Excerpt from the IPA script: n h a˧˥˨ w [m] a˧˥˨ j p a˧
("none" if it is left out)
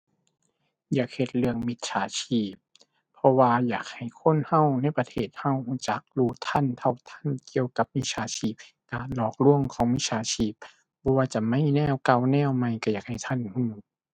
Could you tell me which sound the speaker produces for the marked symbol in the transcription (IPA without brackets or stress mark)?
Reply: n